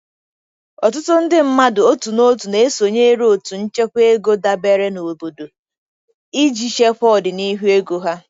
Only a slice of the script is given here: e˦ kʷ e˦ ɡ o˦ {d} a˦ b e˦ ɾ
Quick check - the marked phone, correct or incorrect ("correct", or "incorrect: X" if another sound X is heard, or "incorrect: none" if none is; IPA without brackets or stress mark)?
correct